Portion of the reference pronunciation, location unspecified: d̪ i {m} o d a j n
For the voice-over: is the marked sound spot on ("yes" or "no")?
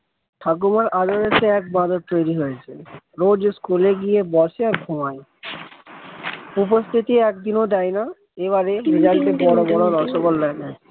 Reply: no